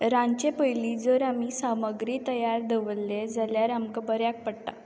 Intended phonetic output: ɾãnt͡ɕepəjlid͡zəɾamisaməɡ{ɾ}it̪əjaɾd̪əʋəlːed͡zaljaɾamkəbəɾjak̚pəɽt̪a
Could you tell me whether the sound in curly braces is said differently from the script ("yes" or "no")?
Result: no